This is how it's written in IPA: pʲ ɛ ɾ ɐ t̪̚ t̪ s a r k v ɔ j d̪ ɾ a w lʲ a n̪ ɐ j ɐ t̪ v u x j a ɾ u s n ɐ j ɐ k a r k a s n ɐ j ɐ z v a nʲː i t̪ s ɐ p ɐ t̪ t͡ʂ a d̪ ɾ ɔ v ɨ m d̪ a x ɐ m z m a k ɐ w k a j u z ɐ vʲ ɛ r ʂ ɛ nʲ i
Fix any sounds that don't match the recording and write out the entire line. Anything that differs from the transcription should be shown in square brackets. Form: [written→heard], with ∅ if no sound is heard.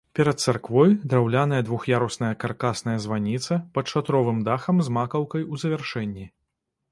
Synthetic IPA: pʲ ɛ ɾ ɐ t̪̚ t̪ s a r k v ɔ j d̪ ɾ a w lʲ a n̪ ɐ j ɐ [t̪→d̪] v u x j a ɾ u s n ɐ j ɐ k a r k a s n ɐ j ɐ z v a [nʲː→nʲ] i t̪ s ɐ p ɐ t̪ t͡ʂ a [d̪→t̪] ɾ ɔ v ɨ m d̪ a x ɐ m z m a k ɐ w k [a→ɐ] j u z ɐ vʲ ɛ r ʂ ɛ [nʲ→nʲː] i

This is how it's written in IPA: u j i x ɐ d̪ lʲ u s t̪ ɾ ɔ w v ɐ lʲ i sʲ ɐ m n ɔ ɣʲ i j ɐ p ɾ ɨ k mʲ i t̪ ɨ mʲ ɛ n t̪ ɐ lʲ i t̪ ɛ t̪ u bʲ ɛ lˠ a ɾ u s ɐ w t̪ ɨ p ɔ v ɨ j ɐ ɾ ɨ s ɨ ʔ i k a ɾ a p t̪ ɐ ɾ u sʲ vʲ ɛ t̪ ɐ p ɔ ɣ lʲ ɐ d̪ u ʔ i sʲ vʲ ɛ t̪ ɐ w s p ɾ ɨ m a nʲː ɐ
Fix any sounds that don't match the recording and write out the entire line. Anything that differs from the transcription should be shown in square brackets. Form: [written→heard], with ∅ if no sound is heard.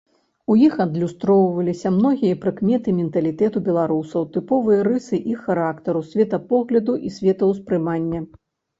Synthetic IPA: u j i x ɐ d̪ lʲ u s t̪ ɾ ɔ w v ɐ lʲ i sʲ ɐ m n ɔ ɣʲ i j ɐ p ɾ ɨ k mʲ [i→ɛ] t̪ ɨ mʲ ɛ n t̪ ɐ lʲ i t̪ ɛ t̪ u bʲ ɛ lˠ a ɾ u s ɐ w t̪ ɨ p ɔ v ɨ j ɐ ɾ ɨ s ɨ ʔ i [k→x] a ɾ a [p→k] t̪ ɐ ɾ u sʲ vʲ ɛ t̪ ɐ p ɔ ɣ lʲ ɐ d̪ u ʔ i sʲ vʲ ɛ t̪ ɐ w s p ɾ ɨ m a nʲː ɐ

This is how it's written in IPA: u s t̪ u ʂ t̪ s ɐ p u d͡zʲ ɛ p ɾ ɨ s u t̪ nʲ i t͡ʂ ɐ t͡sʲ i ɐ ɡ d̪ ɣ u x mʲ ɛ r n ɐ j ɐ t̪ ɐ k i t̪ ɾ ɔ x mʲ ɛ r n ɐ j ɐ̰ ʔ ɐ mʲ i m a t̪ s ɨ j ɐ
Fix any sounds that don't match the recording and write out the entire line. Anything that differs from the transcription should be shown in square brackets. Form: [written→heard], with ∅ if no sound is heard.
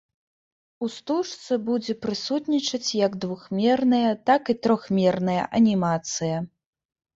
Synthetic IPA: u s t̪ u ʂ t̪ s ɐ [p→b] u d͡zʲ ɛ p ɾ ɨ s u t̪ nʲ i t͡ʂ ɐ t͡sʲ [i→j] ɐ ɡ d̪ [ɣ→v] u x mʲ ɛ r n ɐ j ɐ t̪ [ɐ→a] k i t̪ ɾ ɔ x mʲ ɛ r n ɐ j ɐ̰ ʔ ɐ [mʲ→nʲ] i m a t̪ s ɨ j ɐ

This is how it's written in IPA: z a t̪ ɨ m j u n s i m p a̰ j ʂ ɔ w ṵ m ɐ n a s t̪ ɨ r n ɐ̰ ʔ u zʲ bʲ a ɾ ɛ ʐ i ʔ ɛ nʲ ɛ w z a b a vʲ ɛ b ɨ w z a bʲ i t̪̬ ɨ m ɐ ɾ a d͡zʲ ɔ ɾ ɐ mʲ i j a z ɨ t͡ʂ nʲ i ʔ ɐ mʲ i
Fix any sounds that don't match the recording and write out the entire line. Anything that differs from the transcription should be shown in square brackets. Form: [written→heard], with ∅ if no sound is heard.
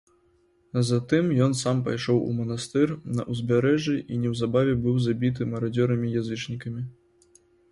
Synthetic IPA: z a t̪ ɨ m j [u→ɔ] n s [i→a] m p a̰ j ʂ ɔ w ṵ m ɐ n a s t̪ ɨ r n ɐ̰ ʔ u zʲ bʲ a ɾ ɛ ʐ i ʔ [ɛ→i] nʲ ɛ w z a b a vʲ ɛ b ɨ w z a bʲ i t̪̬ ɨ m ɐ ɾ a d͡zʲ ɔ ɾ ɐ mʲ i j a z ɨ t͡ʂ nʲ i [ʔ→k] ɐ mʲ i

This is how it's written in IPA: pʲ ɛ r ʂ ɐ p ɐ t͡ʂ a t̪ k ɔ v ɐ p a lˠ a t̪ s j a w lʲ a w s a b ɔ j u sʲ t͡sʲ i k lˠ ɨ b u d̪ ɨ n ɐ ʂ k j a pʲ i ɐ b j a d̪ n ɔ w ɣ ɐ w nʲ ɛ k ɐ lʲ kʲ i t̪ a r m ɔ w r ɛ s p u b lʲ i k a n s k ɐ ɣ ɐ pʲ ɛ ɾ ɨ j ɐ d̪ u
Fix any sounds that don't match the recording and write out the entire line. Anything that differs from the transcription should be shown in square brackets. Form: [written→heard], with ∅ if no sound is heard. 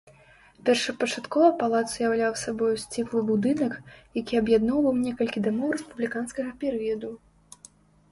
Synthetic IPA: pʲ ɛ r ʂ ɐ p ɐ t͡ʂ a t̪ k ɔ v ɐ p a lˠ a t̪ s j a w lʲ a w s a b ɔ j u sʲ t͡sʲ i k lˠ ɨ b u d̪ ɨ n ɐ [ʂ→∅] k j a [pʲ→kʲ] i ɐ b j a d̪ n ɔ w [ɣ→v] ɐ w nʲ ɛ k ɐ lʲ kʲ i [t̪→d̪] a [r→∅] m ɔ w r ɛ s p u b lʲ i k a n s k ɐ ɣ ɐ pʲ ɛ ɾ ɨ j ɐ d̪ u

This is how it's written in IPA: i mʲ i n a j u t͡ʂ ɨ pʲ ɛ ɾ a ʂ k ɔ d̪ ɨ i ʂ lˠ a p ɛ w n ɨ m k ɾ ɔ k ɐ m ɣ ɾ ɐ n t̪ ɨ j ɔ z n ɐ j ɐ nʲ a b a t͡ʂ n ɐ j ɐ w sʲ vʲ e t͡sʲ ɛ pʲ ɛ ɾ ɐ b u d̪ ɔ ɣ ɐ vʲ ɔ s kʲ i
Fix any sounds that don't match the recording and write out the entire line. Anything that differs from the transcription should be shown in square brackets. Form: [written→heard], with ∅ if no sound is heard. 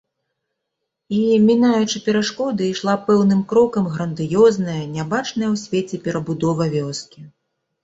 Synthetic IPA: i mʲ i n a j u t͡ʂ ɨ pʲ ɛ ɾ a ʂ k ɔ d̪ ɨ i ʂ lˠ a p ɛ w n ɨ m k ɾ ɔ k ɐ m ɣ ɾ ɐ n [t̪→d̪] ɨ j ɔ z n ɐ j ɐ nʲ a b a t͡ʂ n ɐ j ɐ w sʲ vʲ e t͡sʲ ɛ pʲ ɛ ɾ ɐ b u d̪ ɔ [ɣ→v] ɐ vʲ ɔ s kʲ i

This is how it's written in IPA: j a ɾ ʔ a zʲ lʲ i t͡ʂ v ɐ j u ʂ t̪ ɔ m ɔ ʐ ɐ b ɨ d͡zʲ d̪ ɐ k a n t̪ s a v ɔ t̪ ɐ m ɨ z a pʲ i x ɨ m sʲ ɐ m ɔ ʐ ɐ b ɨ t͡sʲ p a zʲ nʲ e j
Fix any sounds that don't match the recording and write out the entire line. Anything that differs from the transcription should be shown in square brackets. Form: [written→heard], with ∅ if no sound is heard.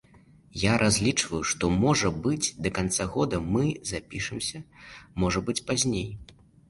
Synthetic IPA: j a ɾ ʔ a zʲ lʲ i t͡ʂ v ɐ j u ʂ t̪ ɔ m ɔ ʐ ɐ b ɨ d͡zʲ d̪ ɐ k a n t̪ s a [v→ɣ] ɔ [t̪→d̪] ɐ m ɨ z a pʲ i [x→ʂ] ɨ m sʲ ɐ m ɔ ʐ ɐ b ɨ t͡sʲ p a zʲ nʲ e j

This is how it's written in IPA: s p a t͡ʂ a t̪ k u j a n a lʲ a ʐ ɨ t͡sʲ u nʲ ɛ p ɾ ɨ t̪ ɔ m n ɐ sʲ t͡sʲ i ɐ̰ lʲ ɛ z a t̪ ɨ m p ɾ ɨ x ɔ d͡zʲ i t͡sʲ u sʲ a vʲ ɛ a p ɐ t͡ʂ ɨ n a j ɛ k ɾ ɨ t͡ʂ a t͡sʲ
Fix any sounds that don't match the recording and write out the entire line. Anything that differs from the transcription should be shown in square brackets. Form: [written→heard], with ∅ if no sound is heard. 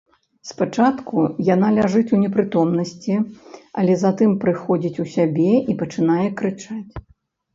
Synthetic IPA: s p a t͡ʂ a t̪ k u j a n a lʲ a ʐ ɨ t͡sʲ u nʲ ɛ p ɾ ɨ t̪ ɔ m n ɐ sʲ t͡sʲ i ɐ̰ lʲ ɛ z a t̪ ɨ m p ɾ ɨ x ɔ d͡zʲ i t͡sʲ u sʲ a [vʲ→bʲ] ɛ [a→i] p ɐ t͡ʂ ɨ n a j ɛ k ɾ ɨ t͡ʂ a t͡sʲ

